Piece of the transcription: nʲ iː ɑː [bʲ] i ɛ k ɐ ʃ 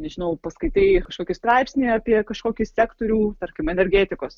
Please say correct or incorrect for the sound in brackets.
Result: incorrect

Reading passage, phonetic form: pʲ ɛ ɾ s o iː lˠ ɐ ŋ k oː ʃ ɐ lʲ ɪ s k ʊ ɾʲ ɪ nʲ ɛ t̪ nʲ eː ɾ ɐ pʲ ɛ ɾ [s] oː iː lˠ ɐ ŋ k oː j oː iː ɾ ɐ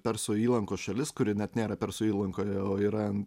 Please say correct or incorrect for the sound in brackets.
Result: correct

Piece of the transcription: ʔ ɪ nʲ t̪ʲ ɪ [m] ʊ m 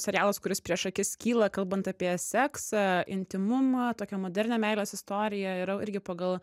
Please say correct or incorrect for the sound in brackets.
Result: correct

